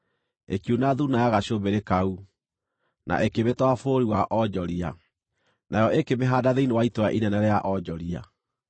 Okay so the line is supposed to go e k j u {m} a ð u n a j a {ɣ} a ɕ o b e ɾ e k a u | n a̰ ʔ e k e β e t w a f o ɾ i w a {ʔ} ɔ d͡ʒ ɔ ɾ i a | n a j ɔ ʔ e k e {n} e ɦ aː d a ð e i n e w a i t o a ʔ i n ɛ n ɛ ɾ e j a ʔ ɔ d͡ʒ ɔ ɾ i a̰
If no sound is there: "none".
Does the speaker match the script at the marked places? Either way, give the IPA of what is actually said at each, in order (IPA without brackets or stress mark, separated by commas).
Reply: n, ɣ, ʔ, m